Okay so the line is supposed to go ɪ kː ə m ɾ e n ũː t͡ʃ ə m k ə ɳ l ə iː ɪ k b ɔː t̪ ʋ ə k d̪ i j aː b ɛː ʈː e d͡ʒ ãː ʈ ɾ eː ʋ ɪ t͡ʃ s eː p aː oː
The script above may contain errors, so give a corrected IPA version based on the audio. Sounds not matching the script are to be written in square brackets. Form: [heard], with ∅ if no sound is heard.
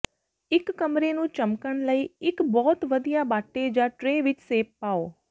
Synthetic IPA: ɪ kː ə m ɾ e n ũː t͡ʃ ə m k ə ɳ l ə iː ɪ k b ɔː t̪ ʋ ə [∅] d̪ i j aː b [aː] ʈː e d͡ʒ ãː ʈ ɾ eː ʋ ɪ t͡ʃ s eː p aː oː